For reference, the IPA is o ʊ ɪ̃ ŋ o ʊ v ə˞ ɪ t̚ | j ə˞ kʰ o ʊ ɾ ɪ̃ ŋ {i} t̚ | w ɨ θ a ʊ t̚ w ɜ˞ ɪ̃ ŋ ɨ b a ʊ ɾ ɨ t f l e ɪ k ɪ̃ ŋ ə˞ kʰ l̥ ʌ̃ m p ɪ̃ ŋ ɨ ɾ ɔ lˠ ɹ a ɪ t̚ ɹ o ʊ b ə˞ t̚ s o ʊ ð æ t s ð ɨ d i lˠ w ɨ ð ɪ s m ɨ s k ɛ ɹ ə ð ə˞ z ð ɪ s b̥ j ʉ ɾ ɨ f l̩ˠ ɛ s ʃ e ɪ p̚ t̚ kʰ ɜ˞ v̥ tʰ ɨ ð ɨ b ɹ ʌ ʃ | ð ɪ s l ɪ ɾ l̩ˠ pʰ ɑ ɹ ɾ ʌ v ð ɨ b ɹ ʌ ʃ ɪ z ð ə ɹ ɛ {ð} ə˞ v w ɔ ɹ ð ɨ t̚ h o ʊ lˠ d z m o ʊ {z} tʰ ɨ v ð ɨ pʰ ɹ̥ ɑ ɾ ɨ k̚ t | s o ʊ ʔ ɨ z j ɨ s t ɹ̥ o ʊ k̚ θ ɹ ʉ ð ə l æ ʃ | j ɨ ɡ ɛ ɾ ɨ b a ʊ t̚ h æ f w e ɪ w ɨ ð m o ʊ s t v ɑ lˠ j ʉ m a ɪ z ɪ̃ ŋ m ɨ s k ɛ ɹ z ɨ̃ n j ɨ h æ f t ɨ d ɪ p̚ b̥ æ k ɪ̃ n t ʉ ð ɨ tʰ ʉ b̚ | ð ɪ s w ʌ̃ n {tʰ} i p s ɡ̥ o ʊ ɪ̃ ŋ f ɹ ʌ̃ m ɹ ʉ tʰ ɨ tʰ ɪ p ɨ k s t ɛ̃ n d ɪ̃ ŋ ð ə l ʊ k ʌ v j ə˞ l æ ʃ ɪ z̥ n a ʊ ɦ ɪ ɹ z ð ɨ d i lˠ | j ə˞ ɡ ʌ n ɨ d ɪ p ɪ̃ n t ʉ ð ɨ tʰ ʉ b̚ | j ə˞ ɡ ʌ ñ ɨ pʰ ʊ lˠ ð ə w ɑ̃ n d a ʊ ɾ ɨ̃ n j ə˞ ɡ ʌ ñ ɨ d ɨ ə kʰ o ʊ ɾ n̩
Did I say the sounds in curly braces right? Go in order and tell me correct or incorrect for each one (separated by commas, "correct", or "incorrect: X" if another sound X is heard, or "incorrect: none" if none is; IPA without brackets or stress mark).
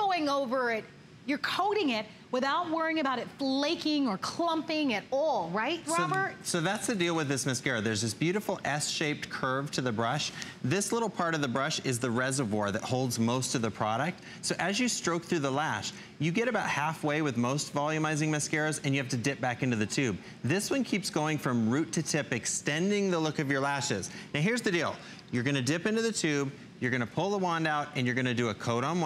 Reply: incorrect: ɪ, incorrect: z, incorrect: s, incorrect: kʰ